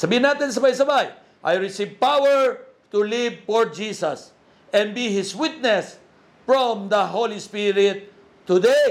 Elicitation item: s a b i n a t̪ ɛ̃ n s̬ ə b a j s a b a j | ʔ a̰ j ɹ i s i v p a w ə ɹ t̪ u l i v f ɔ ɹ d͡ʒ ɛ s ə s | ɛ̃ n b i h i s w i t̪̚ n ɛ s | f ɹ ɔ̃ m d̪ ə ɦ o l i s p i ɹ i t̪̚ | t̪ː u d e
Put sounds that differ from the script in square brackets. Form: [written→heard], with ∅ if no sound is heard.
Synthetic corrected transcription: s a b i n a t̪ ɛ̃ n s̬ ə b a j s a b a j | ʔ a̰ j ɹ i s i v p a w ə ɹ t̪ u l i v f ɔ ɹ d͡ʒ [ɛ→i] s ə s | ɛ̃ n b i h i s w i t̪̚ n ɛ s | f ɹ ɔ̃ m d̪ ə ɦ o l i s p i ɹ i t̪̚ | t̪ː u d e